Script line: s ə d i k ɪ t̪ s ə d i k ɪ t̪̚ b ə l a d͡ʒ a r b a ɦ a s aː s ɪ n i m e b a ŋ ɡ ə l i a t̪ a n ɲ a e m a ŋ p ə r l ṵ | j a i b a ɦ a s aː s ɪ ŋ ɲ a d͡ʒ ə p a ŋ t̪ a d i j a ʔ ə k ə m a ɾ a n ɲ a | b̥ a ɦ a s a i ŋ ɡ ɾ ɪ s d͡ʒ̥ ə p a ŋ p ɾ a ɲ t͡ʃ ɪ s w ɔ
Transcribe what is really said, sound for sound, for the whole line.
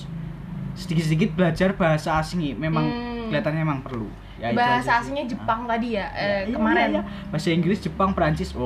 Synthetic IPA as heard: s ə d i k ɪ t̪ s ə d i k ɪ t̪̚ b ə l a d͡ʒ a r b a ɦ a s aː s ɪ ŋ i m e m a ŋ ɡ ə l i a t̪ a n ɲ a e m a ŋ p ə r l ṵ | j a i b a ɦ a s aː s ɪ ŋ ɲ a d͡ʒ ə p a ŋ t̪ a d i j a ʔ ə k ə m a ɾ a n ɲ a | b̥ a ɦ a s a i ŋ ɡ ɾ ɪ s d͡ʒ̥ ə p a ŋ p ɾ a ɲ t͡ʃ ɪ s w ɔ